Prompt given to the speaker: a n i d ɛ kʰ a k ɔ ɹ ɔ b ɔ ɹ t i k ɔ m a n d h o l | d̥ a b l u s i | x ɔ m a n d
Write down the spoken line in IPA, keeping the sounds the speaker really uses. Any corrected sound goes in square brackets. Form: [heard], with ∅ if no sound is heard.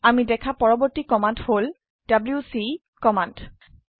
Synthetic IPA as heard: a [m] i d ɛ kʰ a [p] ɔ ɹ ɔ b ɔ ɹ t i k ɔ m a n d h o l | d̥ a b l u s i | [k] ɔ m a n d